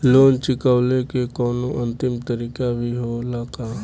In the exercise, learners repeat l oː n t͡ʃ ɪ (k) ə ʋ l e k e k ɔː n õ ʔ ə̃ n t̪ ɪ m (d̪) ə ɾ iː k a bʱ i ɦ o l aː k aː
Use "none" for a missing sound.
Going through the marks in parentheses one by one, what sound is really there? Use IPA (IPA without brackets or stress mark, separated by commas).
k, t̪